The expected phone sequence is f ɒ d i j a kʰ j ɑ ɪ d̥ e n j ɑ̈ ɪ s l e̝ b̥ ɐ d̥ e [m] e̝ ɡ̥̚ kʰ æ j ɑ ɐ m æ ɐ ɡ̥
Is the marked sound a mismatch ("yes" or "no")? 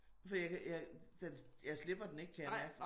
yes